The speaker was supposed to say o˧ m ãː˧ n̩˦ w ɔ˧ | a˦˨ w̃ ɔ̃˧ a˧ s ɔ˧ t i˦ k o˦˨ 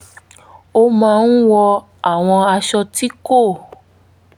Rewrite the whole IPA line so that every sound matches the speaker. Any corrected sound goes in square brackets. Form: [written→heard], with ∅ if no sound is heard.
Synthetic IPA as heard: o˧ m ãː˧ n̩˦ w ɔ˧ | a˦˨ w̃ ɔ̃˧ a˧ [s→ʃ] ɔ˧ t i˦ k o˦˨